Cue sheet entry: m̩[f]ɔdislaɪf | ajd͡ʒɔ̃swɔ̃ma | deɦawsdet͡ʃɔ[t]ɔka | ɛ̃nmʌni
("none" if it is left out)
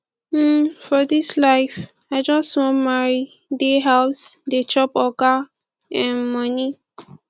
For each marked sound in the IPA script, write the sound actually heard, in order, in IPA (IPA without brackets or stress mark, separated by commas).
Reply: f, p